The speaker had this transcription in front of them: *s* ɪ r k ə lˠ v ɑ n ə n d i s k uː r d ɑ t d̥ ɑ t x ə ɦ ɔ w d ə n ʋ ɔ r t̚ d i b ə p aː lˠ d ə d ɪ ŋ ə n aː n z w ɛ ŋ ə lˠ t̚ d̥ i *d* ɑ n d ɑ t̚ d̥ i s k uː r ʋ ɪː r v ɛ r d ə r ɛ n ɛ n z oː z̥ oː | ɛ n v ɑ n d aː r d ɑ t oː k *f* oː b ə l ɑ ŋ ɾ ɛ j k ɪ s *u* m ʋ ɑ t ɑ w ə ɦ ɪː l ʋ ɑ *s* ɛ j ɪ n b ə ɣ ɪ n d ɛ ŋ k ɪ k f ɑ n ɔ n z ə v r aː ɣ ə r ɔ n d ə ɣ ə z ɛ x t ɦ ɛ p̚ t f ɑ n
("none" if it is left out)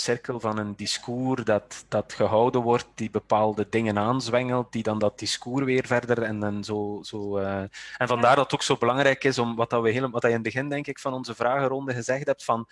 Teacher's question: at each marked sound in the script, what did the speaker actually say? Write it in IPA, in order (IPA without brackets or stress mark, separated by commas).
s, d, s, ɔ, t